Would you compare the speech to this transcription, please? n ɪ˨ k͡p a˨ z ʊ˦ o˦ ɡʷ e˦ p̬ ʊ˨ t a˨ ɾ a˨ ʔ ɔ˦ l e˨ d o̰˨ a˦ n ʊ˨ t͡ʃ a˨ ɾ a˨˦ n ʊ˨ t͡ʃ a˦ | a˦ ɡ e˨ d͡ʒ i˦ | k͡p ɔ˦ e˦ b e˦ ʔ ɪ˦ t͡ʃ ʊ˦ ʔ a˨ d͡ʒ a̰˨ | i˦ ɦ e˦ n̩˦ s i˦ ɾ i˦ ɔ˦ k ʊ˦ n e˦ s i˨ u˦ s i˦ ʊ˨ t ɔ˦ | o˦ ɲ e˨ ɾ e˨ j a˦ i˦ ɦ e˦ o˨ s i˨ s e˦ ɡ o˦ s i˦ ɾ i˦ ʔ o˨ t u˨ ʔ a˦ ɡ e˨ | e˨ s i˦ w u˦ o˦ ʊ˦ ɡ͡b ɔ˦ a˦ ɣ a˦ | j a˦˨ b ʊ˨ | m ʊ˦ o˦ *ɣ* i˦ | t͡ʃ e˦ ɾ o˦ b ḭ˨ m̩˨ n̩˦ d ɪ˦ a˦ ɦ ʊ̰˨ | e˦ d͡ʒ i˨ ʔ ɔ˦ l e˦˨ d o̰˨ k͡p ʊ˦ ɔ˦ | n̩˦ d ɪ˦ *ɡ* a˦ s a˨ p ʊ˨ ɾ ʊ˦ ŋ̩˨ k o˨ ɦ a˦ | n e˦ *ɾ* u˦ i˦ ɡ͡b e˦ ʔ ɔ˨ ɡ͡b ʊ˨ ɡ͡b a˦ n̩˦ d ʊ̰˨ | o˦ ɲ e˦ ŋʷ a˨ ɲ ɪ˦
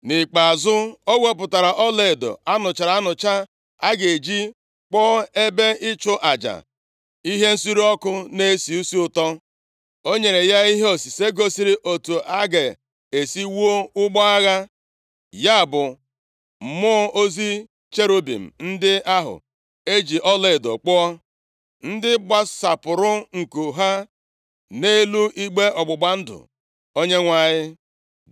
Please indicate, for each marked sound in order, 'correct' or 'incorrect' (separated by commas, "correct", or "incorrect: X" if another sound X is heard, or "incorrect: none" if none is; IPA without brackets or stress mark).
incorrect: z, incorrect: ɡ͡b, incorrect: l